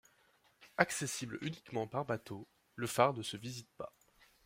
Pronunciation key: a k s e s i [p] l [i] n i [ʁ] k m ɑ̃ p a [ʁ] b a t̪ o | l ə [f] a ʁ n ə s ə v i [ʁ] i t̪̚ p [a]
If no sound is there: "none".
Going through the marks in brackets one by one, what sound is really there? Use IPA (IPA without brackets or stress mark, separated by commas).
b, y, none, ʁ, f, z, a